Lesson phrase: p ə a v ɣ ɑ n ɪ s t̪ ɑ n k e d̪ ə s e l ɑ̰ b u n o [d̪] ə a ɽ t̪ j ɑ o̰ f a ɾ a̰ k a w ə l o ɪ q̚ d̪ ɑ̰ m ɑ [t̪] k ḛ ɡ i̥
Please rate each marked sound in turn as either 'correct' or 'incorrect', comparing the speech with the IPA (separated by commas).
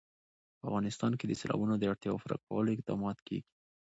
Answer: correct, correct